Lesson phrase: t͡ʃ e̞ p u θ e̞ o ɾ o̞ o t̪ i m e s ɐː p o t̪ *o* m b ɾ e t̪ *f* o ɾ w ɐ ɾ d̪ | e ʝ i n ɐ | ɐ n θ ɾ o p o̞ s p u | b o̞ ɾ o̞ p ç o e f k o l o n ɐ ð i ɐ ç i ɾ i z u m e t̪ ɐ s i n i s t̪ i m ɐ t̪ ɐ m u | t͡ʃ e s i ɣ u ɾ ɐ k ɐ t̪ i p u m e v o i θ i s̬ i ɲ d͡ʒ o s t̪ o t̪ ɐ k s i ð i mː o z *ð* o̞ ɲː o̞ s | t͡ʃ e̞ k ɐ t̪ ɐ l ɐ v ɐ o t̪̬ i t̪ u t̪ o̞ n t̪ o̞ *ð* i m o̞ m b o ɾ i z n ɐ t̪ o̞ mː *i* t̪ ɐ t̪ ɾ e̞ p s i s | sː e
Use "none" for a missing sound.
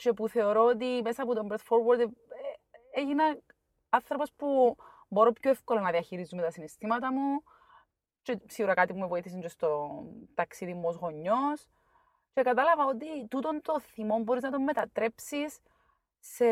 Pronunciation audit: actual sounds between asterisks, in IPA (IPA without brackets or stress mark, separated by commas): o, f, ɣ, θ, e